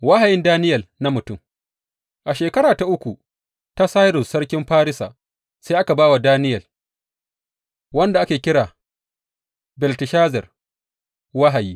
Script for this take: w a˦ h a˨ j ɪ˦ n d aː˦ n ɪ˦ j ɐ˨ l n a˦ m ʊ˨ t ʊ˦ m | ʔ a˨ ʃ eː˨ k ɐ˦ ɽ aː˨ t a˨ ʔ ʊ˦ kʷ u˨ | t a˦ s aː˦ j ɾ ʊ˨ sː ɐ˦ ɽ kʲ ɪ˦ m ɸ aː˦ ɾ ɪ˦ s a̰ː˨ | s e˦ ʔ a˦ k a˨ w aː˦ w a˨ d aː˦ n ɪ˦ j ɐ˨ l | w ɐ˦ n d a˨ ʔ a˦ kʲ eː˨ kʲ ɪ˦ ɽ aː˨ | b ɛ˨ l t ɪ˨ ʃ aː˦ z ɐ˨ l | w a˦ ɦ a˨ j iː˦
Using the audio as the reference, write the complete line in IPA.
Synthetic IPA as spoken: w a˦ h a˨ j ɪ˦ n d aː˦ n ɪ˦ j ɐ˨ l n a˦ m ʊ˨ t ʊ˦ m | ʔ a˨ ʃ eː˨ k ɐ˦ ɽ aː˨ t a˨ ʔ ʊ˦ kʷ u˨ | t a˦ s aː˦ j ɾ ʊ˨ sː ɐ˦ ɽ kʲ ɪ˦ m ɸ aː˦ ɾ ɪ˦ s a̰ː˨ | s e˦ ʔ a˦ k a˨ b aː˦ w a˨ d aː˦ n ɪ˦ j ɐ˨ l | w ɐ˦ n d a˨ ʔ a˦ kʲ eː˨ kʲ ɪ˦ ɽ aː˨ | b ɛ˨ l t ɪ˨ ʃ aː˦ z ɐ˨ r | w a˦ ɦ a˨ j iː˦